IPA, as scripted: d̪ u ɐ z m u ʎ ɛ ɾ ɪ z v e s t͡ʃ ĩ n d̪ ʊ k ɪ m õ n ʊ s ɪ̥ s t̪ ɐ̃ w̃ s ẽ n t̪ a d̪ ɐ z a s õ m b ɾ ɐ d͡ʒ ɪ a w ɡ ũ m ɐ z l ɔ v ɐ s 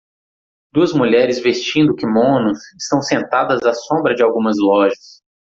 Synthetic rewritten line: d̪ u ɐ z m u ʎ ɛ ɾ ɪ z v e s t͡ʃ ĩ n d̪ ʊ k ɪ m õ n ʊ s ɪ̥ s t̪ ɐ̃ w̃ s ẽ n t̪ a d̪ ɐ z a s õ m b ɾ ɐ d͡ʒ ɪ a w ɡ ũ m ɐ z l ɔ ʒ ɐ s